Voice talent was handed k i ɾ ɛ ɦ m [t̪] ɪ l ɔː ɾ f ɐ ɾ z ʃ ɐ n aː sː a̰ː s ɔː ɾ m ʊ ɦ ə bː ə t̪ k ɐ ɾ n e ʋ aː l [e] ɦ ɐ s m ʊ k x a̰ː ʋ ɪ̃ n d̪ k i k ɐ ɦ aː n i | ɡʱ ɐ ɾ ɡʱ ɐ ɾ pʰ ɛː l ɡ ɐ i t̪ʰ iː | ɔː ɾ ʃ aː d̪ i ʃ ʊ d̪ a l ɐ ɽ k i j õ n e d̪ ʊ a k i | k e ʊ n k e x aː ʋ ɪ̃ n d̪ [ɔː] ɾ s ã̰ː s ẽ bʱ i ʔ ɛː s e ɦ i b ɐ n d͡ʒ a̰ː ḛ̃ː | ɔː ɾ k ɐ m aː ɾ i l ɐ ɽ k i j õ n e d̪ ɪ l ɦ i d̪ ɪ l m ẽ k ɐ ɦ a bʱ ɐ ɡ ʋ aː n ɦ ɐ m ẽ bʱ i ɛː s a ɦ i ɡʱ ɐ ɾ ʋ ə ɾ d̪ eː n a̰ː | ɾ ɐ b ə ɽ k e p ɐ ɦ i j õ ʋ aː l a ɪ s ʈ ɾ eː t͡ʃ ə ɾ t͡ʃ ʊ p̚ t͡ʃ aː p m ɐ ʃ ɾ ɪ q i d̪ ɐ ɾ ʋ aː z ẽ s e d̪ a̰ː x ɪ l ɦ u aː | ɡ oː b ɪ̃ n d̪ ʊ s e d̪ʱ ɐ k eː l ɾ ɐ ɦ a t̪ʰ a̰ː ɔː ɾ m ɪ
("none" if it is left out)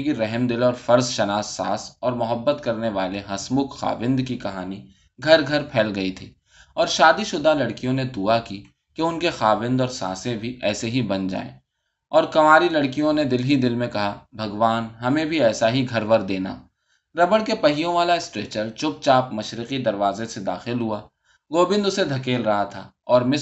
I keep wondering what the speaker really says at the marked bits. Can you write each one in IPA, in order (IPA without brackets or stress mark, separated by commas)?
d̪, e, ɔː